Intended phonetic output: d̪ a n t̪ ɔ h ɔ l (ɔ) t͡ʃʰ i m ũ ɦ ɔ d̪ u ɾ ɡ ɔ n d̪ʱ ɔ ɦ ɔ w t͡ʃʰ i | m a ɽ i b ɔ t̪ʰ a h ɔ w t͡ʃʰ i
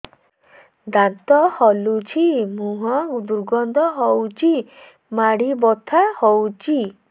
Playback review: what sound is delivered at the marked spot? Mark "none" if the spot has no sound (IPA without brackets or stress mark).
u